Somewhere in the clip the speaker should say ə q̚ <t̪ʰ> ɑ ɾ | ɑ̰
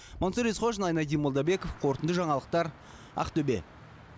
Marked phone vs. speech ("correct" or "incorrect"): incorrect